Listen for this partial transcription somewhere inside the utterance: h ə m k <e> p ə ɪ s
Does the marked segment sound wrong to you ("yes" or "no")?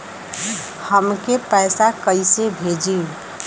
no